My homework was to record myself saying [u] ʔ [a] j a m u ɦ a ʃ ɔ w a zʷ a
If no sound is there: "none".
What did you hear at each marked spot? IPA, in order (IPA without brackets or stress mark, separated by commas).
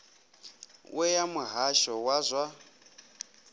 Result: w, ɛ